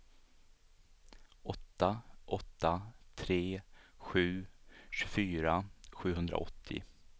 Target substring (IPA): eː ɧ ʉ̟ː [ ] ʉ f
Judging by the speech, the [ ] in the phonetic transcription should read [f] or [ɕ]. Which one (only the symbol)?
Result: ɕ